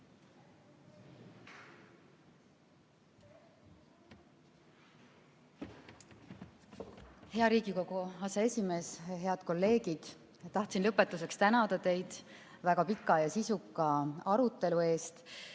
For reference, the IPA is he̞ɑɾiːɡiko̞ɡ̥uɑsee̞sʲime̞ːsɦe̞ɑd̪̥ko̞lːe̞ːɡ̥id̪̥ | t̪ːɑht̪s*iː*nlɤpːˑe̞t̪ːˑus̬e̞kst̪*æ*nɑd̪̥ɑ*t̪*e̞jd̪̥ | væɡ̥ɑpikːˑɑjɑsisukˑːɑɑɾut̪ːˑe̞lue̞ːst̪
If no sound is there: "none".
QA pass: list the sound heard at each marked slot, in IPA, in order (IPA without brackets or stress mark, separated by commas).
i, æ, t̪